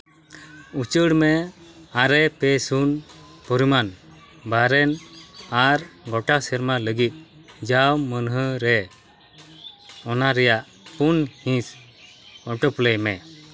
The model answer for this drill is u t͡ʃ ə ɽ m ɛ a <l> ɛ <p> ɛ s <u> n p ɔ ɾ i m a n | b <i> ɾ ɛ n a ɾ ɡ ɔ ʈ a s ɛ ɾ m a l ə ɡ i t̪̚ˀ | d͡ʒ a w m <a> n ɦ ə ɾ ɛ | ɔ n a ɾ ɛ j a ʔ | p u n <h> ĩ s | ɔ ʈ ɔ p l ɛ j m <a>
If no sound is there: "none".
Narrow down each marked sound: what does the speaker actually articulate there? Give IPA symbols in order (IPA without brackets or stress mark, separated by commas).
ɾ, p, u, a, ə, h, ɛ